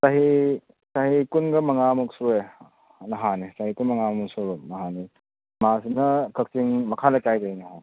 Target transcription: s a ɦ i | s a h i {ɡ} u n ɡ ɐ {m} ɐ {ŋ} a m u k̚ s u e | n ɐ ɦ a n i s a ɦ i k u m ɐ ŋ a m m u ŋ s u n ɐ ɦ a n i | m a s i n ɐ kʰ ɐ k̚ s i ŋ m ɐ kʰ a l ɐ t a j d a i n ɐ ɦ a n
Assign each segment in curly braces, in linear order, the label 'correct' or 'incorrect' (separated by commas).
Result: incorrect, correct, correct